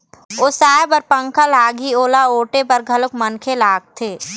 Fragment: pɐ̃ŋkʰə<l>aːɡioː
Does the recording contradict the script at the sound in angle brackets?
no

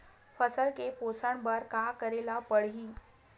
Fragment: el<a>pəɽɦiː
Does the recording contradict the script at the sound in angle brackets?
no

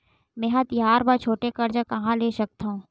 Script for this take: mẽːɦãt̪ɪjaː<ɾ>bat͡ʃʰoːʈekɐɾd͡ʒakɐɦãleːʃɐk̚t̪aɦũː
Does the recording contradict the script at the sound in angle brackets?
no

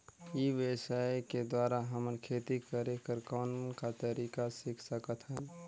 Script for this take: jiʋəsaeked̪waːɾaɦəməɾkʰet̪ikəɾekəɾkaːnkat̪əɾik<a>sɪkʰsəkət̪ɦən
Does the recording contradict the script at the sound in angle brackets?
no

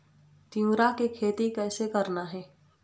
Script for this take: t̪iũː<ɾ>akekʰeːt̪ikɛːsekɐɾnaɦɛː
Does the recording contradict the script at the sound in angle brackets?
no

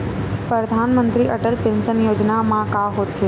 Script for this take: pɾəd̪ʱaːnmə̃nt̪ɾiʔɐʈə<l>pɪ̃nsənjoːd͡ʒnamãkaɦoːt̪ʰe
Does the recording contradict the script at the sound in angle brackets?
no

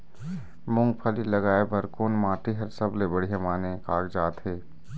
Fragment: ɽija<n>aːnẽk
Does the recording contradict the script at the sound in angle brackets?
yes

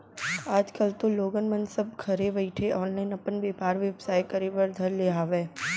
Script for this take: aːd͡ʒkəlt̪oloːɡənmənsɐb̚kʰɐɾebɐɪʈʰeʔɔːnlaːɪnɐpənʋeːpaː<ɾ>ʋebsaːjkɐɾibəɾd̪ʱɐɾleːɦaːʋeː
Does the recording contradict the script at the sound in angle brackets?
no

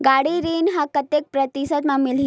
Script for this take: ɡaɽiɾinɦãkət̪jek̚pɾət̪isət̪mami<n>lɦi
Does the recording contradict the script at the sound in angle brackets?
yes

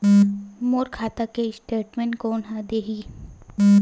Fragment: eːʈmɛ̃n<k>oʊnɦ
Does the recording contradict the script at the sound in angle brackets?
no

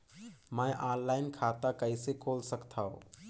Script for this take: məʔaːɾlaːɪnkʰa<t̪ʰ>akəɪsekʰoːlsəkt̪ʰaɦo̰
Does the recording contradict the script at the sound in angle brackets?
yes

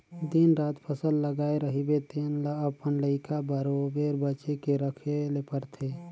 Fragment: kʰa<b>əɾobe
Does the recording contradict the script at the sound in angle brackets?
no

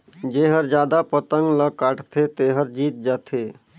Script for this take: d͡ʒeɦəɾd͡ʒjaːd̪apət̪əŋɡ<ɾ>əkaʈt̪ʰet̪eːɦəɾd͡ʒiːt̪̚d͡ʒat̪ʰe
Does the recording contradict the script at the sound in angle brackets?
yes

